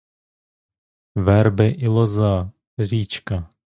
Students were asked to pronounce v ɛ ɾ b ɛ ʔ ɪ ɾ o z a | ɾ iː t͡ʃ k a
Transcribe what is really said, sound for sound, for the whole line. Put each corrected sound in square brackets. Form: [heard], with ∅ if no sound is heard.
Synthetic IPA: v ɛ ɾ b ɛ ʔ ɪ [l] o z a | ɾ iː t͡ʃ k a